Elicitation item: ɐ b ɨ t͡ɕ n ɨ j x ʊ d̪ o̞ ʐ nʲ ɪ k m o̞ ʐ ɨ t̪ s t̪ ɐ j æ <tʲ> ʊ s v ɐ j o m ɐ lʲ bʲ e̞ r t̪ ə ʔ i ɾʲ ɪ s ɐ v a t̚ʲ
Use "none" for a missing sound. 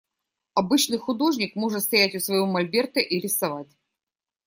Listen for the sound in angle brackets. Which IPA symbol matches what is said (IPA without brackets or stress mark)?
tʲ